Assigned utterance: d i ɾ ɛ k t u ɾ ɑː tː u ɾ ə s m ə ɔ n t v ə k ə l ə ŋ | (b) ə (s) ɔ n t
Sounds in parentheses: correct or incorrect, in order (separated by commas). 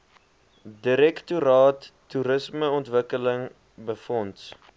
correct, incorrect